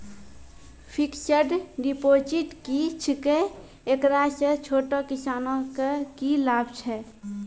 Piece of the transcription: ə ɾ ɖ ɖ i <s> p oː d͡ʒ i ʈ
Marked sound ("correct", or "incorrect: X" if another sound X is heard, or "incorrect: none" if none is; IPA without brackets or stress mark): incorrect: none